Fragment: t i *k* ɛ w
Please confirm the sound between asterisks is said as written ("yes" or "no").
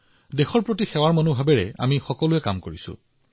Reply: no